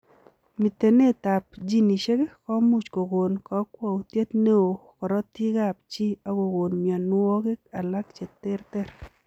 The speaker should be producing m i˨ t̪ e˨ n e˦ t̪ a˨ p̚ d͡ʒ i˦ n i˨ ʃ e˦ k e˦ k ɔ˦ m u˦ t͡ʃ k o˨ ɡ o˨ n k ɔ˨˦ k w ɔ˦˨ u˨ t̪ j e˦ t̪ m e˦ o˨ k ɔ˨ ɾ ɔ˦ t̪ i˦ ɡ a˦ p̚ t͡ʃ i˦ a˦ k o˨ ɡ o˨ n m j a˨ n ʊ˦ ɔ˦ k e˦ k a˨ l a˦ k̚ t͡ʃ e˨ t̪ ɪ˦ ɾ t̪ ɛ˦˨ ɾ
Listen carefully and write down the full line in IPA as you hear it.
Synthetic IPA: m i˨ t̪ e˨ n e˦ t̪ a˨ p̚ d͡ʒ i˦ n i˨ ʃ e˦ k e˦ k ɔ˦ m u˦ t͡ʃ k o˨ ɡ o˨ n k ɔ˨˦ k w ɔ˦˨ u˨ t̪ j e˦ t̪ n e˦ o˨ k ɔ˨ ɾ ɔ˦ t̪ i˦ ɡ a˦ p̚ t͡ʃ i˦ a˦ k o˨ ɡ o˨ n m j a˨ n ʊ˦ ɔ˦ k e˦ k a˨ l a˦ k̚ t͡ʃ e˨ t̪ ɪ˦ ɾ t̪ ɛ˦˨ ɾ